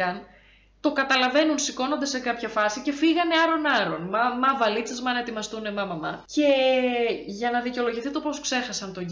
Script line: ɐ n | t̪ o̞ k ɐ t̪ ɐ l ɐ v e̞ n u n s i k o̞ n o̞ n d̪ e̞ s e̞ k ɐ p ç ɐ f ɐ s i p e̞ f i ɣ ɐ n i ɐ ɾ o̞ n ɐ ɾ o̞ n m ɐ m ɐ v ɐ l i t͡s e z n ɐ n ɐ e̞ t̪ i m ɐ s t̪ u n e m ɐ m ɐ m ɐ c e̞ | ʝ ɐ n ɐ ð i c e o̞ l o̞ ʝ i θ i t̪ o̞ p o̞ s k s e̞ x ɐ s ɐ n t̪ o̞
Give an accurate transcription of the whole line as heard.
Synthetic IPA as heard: ɐ n | t̪ o̞ k ɐ t̪ ɐ l ɐ v e̞ n u n s i k o̞ n o̞ n d̪ e̞ s e̞ k ɐ p ç ɐ f ɐ s i c e̞ f i ɣ ɐ n e ɐ ɾ o̞ n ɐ ɾ o̞ n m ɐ m ɐ v ɐ l i t͡s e z m ɐ n ɐ e̞ t̪ i m ɐ s t̪ u n e m ɐ m ɐ m ɐ c e̞ | ʝ ɐ n ɐ ð i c e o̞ l o̞ ʝ i θ i t̪ o̞ p o̞ s k s e̞ x ɐ s ɐ n t̪ o̞